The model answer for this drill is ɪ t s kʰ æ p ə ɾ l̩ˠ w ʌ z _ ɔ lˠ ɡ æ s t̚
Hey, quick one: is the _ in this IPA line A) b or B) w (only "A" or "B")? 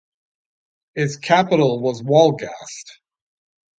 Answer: B